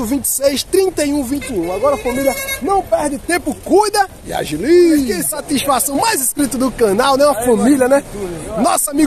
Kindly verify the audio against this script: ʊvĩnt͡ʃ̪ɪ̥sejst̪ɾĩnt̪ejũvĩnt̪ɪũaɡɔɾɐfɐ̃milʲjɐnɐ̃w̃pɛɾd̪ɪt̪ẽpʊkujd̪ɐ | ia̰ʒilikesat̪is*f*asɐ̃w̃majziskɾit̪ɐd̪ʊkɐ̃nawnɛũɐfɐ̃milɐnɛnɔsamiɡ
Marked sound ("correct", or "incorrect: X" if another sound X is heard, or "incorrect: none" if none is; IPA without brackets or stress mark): correct